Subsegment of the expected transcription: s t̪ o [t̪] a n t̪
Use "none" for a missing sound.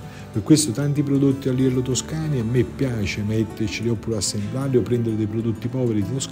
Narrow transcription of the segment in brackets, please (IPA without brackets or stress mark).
t̪